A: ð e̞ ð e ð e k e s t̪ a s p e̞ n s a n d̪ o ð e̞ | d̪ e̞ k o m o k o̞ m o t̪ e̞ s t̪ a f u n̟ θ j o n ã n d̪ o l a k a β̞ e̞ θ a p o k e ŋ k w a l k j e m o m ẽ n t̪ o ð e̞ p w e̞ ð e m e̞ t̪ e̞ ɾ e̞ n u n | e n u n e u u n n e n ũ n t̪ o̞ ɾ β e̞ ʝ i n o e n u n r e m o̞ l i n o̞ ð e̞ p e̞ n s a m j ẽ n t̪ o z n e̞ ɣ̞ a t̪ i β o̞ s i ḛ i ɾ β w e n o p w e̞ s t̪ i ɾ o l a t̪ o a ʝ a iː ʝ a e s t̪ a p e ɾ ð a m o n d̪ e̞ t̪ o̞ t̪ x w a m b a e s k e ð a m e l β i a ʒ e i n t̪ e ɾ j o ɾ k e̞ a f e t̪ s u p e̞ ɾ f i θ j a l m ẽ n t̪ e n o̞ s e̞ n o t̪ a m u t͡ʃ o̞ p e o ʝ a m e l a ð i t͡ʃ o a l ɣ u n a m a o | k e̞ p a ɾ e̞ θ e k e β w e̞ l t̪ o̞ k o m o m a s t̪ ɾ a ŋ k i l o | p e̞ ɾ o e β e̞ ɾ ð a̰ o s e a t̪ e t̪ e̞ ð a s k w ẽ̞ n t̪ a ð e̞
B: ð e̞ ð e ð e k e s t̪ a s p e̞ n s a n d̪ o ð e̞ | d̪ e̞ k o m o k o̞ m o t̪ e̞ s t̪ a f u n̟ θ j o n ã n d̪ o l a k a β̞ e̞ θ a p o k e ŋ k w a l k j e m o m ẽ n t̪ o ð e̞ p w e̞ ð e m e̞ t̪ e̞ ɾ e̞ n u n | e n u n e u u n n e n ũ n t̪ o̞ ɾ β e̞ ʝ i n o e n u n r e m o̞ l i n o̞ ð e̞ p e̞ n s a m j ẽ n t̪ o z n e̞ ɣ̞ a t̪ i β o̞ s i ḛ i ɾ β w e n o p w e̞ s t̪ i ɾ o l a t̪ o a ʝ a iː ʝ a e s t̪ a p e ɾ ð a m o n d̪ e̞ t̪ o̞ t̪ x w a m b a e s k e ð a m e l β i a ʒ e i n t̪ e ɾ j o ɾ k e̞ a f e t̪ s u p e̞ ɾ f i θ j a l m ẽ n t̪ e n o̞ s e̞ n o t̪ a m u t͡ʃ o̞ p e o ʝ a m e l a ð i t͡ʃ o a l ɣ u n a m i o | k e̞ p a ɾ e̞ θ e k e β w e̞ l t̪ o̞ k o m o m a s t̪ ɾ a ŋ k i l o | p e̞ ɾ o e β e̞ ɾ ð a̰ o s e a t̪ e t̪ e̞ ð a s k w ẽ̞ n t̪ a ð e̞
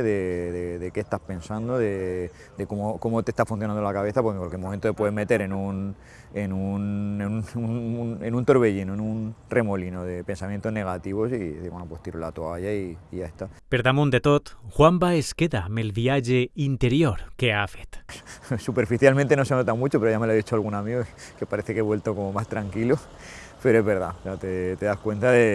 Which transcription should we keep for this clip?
B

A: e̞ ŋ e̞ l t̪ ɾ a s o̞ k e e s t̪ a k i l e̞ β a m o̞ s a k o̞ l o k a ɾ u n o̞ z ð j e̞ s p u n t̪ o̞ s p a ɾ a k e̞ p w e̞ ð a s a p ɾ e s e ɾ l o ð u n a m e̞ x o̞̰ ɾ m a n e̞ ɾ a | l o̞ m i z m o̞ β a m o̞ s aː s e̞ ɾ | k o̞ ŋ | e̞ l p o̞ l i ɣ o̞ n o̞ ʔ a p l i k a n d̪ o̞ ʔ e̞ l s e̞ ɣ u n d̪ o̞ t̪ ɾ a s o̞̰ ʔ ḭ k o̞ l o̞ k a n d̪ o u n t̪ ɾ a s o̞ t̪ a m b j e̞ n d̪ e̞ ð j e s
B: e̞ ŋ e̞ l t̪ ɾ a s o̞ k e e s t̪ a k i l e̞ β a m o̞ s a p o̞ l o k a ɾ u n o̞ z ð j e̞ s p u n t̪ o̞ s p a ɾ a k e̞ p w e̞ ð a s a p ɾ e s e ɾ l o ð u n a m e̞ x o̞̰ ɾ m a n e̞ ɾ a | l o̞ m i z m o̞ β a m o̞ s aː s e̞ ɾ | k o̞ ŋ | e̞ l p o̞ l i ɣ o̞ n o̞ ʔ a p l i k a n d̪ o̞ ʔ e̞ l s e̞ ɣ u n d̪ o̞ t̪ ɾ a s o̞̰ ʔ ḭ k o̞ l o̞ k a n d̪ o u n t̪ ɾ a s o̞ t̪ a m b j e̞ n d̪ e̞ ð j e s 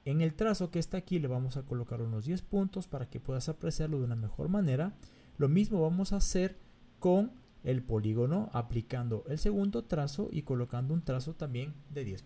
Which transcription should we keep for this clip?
A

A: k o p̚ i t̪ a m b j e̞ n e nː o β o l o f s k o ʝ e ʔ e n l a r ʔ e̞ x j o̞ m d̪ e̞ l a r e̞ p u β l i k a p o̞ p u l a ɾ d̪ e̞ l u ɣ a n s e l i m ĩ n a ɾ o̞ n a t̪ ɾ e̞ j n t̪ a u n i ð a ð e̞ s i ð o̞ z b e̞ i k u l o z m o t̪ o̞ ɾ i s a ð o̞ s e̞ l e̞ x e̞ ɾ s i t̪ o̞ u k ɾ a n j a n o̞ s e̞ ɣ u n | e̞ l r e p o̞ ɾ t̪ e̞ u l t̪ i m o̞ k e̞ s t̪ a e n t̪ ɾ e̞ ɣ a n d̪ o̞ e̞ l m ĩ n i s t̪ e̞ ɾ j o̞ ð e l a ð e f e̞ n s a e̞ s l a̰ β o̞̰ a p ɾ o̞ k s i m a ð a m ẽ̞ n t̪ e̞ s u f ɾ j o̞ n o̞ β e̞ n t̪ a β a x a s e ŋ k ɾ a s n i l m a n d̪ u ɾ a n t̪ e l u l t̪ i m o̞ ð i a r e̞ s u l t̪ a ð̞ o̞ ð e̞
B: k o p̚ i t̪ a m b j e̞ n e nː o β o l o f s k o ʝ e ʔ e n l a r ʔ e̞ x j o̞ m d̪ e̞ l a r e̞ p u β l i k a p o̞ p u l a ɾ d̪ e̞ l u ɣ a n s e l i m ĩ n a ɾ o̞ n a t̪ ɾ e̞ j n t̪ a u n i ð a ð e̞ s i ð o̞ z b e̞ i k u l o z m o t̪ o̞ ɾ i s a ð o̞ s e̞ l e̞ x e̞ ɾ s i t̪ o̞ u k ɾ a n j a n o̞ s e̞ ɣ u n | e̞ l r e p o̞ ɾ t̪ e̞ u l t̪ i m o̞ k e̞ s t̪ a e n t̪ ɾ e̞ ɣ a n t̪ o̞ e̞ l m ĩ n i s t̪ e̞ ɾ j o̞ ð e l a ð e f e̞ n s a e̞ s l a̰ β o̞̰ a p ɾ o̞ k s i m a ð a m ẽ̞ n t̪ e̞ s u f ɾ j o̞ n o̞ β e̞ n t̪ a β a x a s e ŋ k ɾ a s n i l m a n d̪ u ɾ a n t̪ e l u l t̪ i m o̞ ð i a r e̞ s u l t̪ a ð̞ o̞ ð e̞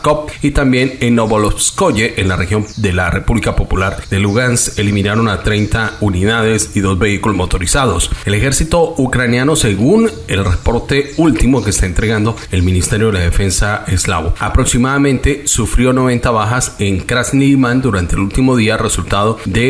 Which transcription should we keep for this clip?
A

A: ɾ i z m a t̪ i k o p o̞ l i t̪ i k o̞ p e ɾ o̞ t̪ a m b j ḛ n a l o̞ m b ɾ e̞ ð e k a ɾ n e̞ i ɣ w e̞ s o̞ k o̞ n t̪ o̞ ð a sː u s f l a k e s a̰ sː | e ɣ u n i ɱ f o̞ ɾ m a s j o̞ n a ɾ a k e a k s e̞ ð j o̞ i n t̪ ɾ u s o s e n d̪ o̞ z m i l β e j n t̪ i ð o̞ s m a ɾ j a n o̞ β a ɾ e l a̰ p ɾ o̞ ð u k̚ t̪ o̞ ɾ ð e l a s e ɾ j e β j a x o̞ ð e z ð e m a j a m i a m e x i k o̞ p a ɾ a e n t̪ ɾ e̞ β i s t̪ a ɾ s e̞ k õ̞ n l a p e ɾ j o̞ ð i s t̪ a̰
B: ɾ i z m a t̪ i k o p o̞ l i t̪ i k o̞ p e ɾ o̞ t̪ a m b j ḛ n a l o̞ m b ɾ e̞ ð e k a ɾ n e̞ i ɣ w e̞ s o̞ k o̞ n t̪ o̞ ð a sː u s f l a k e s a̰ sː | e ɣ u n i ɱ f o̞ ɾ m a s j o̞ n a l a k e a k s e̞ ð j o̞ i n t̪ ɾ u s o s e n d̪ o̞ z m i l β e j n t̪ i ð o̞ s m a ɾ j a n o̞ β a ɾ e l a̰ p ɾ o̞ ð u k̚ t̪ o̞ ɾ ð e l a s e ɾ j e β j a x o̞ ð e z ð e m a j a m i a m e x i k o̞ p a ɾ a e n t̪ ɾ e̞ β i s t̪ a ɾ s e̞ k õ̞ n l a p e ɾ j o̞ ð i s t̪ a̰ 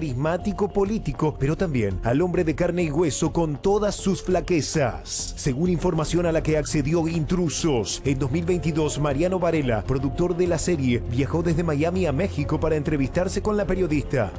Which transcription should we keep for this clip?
B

